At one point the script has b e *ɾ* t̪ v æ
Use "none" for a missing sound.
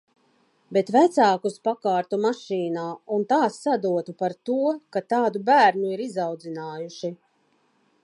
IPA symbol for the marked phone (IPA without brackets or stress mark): none